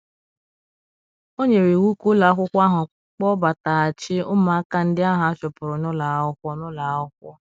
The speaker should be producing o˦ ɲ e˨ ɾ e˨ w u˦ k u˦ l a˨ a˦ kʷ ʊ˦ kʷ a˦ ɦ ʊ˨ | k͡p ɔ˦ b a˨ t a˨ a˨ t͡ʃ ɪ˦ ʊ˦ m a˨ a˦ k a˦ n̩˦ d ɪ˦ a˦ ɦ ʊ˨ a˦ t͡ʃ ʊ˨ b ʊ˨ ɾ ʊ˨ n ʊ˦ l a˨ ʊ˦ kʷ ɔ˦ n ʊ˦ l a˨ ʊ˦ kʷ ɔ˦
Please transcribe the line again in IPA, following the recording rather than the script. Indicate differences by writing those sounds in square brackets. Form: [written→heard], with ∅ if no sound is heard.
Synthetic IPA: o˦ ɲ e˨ ɾ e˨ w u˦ k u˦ l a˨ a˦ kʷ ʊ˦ kʷ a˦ ɦ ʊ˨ | k͡p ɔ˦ b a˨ t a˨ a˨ t͡ʃ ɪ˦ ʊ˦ m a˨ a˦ k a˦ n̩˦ d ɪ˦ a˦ ɦ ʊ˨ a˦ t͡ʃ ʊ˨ [b→p] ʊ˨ ɾ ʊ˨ n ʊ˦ l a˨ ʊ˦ kʷ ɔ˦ n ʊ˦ l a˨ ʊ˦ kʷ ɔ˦